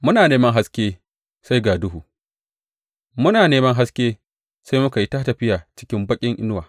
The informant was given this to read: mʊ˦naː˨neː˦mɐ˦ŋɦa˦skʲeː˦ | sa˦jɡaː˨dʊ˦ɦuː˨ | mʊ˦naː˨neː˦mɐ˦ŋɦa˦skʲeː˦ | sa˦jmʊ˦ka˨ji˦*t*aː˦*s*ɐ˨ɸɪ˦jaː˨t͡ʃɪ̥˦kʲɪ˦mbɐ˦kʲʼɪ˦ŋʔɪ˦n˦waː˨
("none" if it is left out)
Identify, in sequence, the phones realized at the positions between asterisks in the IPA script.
t, t

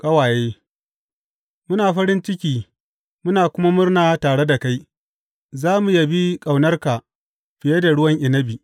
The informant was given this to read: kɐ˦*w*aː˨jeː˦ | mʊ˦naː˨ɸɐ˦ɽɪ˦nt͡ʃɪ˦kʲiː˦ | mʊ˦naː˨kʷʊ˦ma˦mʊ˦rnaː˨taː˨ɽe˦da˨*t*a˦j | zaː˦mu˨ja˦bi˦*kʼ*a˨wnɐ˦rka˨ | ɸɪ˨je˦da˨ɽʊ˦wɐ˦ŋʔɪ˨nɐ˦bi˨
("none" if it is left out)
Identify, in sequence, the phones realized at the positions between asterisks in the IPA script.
w, k, kʼ

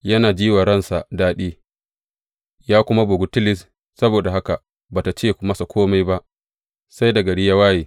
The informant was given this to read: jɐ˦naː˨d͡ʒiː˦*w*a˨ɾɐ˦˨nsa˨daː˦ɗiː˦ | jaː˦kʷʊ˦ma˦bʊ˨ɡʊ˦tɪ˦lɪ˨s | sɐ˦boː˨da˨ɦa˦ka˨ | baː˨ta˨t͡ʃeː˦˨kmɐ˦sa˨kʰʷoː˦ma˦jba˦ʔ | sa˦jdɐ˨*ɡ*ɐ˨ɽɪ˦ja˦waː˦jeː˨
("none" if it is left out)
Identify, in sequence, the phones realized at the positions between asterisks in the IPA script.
w, ɡ

